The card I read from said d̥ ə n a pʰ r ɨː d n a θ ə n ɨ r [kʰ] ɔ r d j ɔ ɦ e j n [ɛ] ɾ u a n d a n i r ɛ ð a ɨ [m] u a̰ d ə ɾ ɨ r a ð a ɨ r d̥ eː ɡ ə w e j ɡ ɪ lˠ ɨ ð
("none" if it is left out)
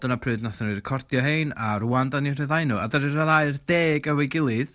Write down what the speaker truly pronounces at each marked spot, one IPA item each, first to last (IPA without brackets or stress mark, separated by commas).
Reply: kʰ, a, n